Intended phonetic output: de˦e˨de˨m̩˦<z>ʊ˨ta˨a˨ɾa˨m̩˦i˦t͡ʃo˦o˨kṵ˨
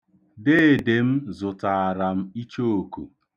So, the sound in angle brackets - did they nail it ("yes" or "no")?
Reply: yes